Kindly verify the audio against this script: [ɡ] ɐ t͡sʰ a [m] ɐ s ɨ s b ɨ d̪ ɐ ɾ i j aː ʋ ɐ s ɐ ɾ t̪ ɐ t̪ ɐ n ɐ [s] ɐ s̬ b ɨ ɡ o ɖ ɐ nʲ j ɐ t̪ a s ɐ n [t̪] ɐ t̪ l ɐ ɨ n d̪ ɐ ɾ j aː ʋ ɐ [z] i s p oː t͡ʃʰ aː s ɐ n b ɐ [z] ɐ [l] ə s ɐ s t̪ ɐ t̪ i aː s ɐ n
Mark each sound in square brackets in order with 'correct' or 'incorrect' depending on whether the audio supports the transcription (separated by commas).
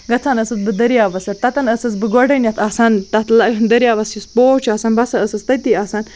correct, incorrect, correct, correct, incorrect, incorrect, incorrect